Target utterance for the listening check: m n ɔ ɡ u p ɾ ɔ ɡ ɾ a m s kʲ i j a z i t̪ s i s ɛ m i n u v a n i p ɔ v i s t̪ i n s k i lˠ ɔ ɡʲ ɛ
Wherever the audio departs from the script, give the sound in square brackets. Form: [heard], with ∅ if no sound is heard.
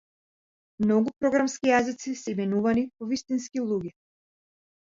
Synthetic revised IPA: m n ɔ ɡ u p ɾ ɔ ɡ ɾ a m s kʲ i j a z i t̪ s i s ɛ m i n u v a n i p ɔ v i s t̪ i n s k i lˠ [u] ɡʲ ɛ